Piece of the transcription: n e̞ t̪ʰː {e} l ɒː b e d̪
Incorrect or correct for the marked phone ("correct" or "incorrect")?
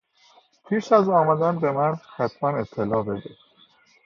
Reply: correct